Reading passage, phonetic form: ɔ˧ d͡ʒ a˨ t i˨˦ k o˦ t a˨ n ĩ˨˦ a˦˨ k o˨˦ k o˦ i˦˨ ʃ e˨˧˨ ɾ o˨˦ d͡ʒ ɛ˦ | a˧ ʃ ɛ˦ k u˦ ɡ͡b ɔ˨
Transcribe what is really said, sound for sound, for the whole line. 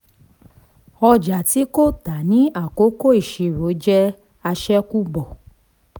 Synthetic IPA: ɔ˧ d͡ʒ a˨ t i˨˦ k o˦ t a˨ n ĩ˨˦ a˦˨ k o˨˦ k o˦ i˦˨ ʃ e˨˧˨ ɾ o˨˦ d͡ʒ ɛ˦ | a˧ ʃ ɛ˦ k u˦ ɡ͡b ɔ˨